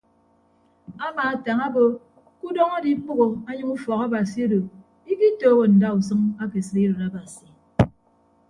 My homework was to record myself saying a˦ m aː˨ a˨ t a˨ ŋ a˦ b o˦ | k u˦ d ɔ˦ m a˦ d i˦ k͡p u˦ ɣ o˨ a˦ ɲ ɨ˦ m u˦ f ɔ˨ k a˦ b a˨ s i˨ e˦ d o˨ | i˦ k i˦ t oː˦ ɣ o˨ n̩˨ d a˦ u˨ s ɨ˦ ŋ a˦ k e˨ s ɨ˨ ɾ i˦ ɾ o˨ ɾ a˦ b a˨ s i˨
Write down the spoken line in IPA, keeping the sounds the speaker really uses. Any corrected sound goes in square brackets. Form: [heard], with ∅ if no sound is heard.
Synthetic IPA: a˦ m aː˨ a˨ t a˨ ŋ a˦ b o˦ | k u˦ d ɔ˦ [ŋ] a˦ d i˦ k͡p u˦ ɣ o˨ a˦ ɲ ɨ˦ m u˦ f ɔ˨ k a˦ b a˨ s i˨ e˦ d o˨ | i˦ k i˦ t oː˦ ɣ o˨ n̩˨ d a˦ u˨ s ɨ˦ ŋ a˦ k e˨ s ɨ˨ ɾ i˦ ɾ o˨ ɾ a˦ b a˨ s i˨